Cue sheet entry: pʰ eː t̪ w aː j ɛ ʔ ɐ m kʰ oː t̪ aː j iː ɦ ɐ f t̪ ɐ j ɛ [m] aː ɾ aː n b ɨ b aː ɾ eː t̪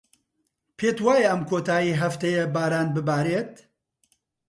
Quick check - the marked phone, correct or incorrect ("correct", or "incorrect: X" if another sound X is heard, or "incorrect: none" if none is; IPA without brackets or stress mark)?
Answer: incorrect: b